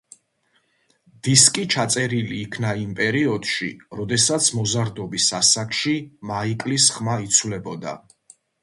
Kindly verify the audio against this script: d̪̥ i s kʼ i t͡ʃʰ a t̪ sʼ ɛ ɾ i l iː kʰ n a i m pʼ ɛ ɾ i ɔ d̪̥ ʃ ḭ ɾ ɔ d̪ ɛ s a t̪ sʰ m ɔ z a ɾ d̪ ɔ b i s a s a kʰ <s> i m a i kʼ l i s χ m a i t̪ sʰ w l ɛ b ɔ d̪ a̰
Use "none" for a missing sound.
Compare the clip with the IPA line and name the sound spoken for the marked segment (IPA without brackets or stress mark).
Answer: ʃ